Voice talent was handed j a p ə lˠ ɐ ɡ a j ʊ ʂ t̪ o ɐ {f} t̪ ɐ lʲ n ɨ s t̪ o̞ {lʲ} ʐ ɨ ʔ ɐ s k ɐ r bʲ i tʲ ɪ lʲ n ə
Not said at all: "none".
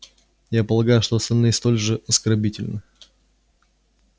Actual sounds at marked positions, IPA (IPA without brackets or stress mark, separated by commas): s, lʲ